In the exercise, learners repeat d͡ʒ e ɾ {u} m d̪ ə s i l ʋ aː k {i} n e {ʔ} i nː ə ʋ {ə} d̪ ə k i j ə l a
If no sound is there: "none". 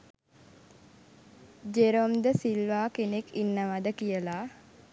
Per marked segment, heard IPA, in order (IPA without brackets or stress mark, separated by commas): o, e, k, a